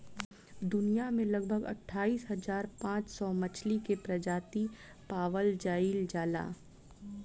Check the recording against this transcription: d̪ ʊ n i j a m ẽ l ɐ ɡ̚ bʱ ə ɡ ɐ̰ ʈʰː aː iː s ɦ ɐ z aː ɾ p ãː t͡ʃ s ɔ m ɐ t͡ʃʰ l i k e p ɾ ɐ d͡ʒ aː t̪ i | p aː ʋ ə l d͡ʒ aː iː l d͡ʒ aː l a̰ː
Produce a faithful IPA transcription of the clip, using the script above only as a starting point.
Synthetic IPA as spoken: d̪ ʊ n i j a m ẽ l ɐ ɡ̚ bʱ ə ɡ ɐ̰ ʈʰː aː iː s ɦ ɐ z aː ɾ p ãː t͡ʃ s ɔ m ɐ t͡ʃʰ l i k e p ɾ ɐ d͡ʒ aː t̪ i | p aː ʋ ə l d͡ʒ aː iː l d͡ʒ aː l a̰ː